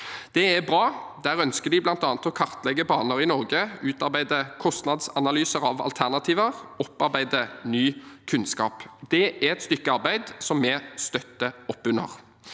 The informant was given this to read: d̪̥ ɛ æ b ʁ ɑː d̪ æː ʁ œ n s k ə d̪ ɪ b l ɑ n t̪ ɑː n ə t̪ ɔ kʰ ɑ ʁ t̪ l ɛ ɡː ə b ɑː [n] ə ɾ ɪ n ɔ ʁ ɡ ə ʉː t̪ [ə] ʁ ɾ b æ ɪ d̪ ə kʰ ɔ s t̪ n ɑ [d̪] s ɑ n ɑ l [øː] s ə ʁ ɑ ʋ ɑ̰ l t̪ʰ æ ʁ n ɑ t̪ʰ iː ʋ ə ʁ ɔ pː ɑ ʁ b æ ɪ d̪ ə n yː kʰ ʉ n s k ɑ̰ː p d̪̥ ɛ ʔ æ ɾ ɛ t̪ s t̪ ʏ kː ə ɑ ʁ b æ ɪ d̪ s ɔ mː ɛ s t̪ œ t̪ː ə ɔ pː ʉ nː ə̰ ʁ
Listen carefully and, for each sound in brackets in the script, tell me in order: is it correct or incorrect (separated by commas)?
correct, incorrect, correct, incorrect